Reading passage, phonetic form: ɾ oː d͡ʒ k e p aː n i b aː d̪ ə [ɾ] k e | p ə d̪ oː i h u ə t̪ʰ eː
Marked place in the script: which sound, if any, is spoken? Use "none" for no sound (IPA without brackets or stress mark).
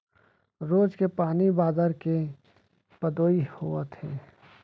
ɾ